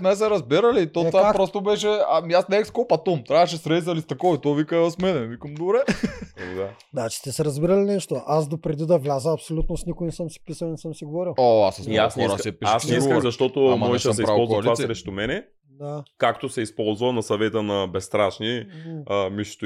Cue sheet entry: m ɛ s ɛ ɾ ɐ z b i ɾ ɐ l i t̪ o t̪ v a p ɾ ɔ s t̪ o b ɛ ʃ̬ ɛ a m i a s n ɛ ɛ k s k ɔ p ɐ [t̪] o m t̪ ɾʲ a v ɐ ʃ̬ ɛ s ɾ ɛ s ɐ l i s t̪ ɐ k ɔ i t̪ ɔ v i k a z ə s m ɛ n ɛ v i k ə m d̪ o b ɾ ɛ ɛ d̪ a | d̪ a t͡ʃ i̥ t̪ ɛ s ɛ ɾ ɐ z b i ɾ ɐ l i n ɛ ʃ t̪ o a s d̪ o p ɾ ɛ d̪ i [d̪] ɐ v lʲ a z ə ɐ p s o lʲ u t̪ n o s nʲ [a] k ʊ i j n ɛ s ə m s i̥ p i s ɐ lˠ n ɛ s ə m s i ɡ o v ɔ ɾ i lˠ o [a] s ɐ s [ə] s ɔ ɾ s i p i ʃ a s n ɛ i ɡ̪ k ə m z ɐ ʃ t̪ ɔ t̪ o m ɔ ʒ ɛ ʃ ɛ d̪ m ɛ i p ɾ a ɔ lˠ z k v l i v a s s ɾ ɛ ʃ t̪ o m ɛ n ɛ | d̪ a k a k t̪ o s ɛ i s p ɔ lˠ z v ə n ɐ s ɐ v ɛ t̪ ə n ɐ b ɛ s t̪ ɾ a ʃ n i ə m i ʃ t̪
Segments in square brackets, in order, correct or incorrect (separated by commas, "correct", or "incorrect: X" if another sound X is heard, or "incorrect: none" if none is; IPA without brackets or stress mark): correct, correct, incorrect: i, correct, incorrect: a